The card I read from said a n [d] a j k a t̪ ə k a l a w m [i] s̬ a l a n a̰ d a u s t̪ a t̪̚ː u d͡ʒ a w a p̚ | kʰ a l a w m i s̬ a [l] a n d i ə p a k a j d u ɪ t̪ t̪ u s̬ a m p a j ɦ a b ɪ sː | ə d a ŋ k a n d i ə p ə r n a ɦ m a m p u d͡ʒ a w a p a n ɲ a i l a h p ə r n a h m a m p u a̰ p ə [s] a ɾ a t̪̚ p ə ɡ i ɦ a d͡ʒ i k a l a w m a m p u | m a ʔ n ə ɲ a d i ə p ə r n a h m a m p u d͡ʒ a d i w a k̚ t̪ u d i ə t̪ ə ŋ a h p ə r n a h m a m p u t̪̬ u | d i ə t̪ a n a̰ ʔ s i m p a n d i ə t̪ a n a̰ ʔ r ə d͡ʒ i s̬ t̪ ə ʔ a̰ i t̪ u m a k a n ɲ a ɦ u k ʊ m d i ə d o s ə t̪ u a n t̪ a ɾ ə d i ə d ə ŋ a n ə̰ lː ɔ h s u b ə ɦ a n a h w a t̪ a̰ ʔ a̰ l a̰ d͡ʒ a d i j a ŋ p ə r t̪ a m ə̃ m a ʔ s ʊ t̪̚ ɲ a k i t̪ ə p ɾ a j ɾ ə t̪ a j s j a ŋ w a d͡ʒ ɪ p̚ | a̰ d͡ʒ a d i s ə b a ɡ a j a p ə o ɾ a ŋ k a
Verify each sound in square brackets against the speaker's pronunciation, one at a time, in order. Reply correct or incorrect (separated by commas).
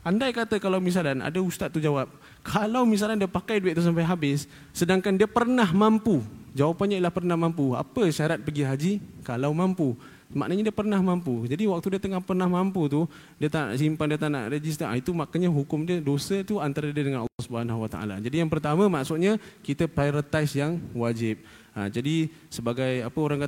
correct, correct, correct, incorrect